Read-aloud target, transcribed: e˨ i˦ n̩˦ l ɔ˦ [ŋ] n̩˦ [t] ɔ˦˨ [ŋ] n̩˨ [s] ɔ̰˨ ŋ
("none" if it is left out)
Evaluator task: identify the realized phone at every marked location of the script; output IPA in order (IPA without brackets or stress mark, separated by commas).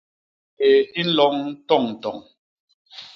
ŋ, t, ŋ, t